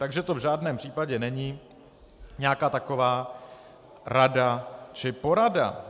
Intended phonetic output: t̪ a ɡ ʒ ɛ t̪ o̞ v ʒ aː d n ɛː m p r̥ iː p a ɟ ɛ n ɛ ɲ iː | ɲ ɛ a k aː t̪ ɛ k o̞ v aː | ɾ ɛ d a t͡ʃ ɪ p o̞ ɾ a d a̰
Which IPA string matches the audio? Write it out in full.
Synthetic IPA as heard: t̪ a ɡ ʒ ɛ t̪ o̞ v ʒ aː d n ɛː m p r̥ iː p a ɟ ɛ n ɛ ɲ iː | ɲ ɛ a k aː t̪ a k o̞ v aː | ɾ a d a t͡ʃ ɪ p o̞ ɾ a d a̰